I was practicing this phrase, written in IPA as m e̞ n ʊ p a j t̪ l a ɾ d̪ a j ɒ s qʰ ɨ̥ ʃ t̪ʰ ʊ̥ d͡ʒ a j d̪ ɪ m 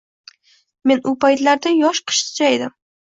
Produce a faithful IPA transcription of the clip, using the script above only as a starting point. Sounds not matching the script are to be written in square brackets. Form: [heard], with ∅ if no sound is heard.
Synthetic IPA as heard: m e̞ n ʊ p a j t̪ l a ɾ d̪ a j ɒ [ʃ] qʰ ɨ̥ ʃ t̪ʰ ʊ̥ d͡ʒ a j d̪ ɪ m